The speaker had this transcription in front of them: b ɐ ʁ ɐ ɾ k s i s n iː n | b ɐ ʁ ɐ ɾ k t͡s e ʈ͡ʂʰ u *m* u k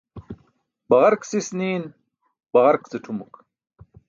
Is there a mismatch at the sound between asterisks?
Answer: no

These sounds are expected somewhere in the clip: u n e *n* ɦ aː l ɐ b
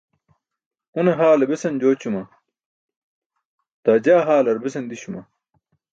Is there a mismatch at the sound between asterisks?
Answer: yes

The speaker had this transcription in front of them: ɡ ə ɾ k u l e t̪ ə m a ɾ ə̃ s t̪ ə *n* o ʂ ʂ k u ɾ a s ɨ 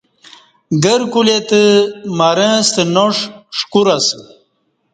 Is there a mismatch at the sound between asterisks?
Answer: no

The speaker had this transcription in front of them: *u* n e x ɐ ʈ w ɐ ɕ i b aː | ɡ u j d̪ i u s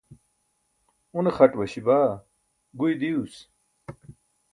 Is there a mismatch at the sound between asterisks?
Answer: no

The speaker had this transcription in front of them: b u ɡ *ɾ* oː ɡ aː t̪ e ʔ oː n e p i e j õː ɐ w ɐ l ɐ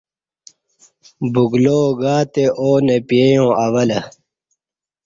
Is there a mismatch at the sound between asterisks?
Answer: yes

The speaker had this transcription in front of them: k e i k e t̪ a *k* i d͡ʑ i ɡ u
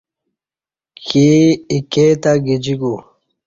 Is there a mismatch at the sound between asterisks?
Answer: yes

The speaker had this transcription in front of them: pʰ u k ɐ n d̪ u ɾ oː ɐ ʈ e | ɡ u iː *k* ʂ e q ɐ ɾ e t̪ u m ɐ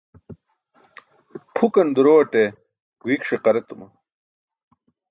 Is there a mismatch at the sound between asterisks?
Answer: no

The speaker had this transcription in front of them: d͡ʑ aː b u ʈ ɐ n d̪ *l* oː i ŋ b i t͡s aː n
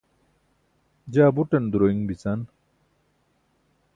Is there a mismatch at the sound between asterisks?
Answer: yes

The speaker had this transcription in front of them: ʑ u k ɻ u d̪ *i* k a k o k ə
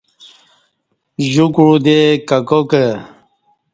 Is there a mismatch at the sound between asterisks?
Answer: yes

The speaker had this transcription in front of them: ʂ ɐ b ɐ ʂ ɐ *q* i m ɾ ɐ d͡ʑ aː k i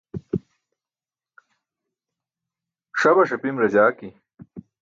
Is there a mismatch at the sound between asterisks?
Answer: yes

